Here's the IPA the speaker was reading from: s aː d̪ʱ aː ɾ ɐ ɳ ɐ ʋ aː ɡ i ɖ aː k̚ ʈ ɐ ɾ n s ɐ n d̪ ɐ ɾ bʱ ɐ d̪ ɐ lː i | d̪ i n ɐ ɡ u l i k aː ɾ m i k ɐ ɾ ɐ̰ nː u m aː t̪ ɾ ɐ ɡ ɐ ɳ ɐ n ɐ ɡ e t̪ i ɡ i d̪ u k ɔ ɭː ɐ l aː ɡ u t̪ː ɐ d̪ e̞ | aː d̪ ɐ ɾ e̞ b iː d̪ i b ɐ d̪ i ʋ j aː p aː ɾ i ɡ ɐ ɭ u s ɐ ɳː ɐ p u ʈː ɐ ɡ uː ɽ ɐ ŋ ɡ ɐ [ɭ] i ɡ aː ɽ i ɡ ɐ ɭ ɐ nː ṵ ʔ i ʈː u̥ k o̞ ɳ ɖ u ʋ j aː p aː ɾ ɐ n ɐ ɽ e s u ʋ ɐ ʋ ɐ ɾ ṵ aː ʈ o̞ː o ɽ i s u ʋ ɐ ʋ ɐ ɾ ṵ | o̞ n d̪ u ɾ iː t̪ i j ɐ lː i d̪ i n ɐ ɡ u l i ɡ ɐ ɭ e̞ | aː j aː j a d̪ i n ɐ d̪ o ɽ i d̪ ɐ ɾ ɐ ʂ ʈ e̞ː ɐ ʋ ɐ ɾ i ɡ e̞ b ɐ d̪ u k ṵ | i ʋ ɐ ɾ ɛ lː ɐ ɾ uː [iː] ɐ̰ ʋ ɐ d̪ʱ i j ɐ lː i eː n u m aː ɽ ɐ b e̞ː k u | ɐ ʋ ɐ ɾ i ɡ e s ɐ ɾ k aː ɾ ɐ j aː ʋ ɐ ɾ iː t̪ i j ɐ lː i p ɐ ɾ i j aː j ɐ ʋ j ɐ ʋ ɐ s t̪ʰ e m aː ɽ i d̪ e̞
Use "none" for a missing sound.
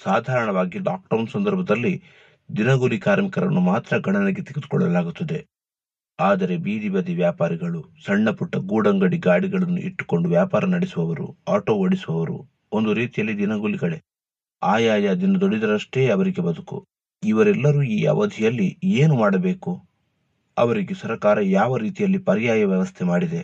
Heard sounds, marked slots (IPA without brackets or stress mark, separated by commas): ɽ, iː